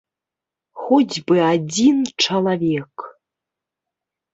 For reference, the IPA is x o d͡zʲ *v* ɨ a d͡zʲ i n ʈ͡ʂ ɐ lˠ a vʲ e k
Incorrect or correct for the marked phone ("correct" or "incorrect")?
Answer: incorrect